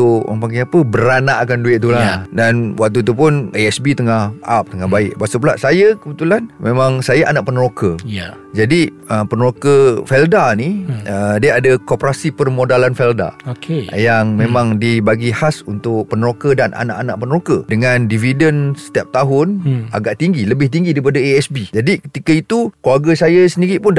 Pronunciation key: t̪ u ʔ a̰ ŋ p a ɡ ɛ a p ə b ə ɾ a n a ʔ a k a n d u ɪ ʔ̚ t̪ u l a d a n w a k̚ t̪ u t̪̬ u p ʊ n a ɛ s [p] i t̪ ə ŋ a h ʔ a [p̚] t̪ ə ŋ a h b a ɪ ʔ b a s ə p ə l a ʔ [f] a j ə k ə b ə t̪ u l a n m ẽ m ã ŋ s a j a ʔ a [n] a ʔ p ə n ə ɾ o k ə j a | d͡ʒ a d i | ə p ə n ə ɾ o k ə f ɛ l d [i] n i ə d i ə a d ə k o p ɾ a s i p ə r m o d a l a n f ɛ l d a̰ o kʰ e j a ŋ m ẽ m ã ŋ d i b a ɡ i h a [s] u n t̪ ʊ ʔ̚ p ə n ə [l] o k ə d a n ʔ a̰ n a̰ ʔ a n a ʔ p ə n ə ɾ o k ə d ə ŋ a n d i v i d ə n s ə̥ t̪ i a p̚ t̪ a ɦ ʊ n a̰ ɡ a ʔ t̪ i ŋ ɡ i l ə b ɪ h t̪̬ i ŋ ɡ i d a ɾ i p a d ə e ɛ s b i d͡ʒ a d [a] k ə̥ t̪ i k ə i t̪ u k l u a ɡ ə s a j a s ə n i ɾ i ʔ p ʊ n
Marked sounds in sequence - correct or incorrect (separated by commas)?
incorrect, correct, incorrect, correct, incorrect, correct, incorrect, incorrect